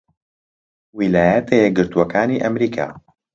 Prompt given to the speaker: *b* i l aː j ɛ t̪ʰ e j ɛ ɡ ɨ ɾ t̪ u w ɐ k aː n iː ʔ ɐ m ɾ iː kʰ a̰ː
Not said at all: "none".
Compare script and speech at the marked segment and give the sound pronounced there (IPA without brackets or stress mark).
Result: w